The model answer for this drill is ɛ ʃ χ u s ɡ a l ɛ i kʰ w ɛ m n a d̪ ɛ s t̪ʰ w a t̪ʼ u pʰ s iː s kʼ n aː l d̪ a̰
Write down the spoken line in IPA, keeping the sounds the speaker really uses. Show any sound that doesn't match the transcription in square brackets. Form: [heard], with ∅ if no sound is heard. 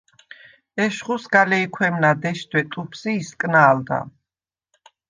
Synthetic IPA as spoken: ɛ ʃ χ u s ɡ a l ɛ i kʰ w ɛ m n a d̪ ɛ [ʃ] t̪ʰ w [ɛ] t̪ʼ u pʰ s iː s kʼ n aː l d̪ a̰